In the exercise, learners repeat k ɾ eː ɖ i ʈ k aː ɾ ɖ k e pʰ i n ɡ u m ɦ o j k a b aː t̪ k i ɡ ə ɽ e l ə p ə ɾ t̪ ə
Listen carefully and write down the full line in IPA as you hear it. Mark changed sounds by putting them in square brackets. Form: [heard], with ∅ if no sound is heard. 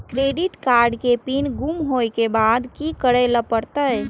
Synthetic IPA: k ɾ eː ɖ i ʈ k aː ɾ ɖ k e [p] i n ɡ u m ɦ o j k [e] b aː [d̪] k i [k] ə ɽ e l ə p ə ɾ t̪ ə